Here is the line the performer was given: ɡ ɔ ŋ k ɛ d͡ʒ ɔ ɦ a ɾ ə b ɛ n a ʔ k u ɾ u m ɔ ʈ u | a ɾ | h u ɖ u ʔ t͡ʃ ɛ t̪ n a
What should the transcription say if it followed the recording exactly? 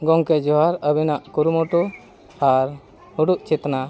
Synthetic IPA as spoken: ɡ ɔ ŋ k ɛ d͡ʒ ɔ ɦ a ɾ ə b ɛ n a ʔ k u ɾ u m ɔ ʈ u | a ɾ | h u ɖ u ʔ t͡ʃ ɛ t̪ n a